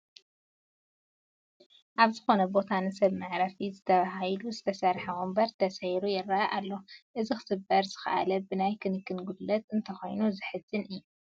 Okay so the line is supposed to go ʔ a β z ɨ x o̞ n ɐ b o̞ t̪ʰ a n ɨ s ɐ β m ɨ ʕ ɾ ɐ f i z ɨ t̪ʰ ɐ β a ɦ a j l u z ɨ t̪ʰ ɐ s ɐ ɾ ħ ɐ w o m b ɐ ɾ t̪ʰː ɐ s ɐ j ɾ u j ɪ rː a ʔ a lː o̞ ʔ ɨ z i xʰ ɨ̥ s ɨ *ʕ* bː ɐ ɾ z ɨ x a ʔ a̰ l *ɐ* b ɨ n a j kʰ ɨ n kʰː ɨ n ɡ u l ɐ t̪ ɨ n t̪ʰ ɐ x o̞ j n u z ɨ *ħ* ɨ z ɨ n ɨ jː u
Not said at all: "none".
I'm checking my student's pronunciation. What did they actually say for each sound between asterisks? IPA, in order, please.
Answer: none, ɐ, ħ

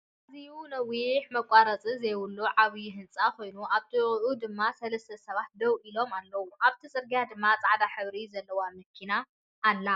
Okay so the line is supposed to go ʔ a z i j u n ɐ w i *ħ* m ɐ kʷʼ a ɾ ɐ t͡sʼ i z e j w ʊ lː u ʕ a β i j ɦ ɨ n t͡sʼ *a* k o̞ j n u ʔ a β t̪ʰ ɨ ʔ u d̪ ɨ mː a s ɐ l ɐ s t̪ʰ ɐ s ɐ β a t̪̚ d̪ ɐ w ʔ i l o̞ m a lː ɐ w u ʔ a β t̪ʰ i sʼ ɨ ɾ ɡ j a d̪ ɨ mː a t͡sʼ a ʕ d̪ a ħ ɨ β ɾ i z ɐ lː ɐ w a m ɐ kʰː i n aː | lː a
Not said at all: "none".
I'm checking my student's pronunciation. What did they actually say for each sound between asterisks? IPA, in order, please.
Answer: ħ, a

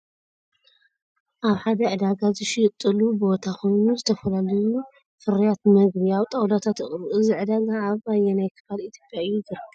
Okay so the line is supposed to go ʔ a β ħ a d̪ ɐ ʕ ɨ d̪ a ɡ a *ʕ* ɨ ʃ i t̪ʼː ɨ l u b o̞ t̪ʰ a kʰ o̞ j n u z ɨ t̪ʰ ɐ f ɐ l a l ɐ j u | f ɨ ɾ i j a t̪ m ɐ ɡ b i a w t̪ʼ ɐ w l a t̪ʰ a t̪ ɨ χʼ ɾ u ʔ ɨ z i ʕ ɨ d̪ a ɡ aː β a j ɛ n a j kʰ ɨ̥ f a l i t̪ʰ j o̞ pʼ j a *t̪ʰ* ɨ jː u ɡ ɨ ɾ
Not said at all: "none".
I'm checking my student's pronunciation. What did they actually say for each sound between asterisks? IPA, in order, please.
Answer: z, none

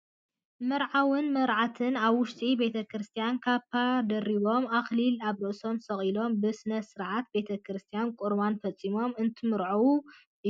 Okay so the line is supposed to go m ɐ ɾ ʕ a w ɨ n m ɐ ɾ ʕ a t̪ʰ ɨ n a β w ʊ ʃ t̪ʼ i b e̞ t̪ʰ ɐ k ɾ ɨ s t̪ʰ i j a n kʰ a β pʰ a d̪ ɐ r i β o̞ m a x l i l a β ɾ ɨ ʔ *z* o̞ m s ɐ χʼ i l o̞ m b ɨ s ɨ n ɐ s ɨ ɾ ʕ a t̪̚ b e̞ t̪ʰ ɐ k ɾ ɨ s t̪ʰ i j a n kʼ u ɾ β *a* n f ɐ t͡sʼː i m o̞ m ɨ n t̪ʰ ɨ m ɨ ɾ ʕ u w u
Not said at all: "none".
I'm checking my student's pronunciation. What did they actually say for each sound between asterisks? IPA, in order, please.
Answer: s, a

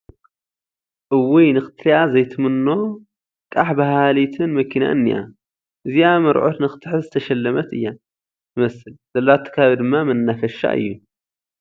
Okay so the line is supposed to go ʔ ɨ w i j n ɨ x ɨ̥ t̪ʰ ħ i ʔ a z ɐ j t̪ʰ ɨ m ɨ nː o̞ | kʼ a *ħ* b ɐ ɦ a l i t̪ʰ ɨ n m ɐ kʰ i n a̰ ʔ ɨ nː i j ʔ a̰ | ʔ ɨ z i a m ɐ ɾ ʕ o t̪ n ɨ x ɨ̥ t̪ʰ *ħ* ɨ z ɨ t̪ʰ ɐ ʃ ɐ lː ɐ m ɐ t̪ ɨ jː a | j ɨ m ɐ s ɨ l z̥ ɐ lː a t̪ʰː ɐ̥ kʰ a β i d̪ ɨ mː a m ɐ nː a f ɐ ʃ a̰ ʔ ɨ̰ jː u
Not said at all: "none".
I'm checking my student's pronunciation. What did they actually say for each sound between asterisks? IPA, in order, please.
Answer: ħ, ħ

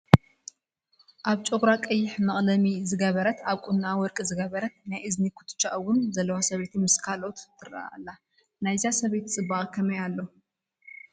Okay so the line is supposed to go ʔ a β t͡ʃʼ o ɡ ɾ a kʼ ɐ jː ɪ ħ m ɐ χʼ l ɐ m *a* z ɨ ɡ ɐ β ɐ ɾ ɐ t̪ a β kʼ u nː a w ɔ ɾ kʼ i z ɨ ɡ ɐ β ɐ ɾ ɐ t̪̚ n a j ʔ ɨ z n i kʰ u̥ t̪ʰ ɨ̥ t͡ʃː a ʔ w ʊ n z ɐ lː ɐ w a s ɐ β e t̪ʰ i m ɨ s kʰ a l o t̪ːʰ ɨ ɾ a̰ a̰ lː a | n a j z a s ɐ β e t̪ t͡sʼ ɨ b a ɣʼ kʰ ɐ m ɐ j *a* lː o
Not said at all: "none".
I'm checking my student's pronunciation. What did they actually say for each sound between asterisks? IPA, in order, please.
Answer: i, a

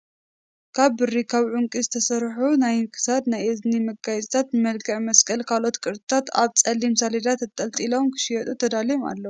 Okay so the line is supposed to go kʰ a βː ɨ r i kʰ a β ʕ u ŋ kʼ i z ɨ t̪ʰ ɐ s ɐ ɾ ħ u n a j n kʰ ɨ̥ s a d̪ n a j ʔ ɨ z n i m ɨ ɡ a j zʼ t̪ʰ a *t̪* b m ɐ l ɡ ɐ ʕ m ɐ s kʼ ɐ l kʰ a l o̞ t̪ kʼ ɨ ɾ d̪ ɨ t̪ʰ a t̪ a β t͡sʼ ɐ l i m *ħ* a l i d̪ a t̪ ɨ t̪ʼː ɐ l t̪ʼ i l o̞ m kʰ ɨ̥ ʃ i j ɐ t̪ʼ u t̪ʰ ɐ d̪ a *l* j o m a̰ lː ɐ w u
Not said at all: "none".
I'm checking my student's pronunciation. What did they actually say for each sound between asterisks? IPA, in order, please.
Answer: t̪, s, l

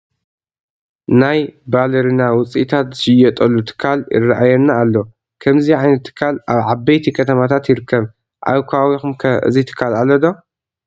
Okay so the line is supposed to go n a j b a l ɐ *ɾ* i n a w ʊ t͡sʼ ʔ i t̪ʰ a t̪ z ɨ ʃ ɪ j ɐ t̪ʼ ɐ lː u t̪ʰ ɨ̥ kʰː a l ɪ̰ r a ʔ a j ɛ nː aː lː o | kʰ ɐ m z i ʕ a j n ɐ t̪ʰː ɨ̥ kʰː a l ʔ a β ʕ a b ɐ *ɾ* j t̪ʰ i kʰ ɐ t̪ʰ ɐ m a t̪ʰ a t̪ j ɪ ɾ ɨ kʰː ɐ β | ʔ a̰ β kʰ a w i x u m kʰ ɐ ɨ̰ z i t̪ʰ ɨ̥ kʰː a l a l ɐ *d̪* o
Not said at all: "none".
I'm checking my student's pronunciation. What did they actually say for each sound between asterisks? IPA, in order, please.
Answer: ɾ, none, d̪

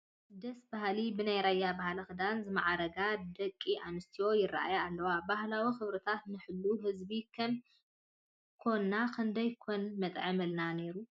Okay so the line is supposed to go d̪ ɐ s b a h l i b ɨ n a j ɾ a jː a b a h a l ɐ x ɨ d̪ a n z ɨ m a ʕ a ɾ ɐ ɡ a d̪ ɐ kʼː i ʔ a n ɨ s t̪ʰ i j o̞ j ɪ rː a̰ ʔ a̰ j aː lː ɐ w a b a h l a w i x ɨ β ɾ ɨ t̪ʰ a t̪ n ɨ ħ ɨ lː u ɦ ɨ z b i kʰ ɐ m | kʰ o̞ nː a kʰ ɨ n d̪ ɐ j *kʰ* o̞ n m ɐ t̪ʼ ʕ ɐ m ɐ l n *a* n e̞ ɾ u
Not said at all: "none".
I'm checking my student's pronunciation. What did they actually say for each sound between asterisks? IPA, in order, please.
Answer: kʰ, a

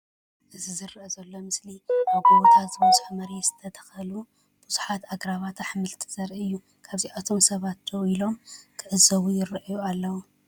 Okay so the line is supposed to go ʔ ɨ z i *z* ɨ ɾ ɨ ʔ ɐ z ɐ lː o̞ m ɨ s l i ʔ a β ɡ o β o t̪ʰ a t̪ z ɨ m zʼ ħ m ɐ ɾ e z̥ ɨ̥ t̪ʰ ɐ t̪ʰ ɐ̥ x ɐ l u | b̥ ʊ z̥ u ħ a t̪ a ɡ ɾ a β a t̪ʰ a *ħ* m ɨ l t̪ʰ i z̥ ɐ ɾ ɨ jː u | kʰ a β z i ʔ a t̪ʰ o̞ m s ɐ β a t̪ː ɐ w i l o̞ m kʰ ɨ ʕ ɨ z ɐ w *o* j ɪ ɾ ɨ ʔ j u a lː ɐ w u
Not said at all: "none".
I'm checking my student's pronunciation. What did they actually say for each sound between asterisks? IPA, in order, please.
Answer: z, ħ, u

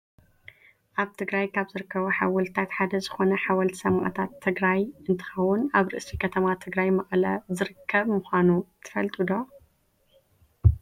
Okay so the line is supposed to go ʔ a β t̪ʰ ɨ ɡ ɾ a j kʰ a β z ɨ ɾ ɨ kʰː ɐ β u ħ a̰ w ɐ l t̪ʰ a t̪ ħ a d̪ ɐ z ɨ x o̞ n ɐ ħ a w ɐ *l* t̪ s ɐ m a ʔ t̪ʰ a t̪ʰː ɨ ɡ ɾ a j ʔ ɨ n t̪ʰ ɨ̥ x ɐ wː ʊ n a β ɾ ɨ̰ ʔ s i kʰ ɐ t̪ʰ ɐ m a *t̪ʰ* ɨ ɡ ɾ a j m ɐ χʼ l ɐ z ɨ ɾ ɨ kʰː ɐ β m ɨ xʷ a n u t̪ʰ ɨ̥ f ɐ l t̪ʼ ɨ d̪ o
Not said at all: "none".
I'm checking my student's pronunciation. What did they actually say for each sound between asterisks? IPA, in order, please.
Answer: l, t̪ʰ

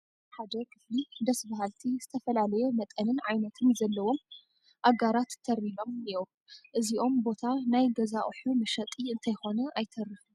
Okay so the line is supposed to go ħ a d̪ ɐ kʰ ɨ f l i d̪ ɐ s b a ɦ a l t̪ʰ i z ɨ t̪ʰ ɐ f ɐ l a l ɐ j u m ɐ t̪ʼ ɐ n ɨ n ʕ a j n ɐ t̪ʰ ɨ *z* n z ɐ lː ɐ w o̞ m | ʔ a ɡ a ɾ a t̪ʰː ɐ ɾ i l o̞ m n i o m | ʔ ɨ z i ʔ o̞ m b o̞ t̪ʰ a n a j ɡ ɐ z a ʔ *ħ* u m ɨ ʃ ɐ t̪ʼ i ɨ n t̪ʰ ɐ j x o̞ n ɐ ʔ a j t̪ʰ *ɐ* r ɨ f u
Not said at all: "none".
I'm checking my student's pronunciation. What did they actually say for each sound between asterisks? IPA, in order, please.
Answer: none, ħ, ɐ

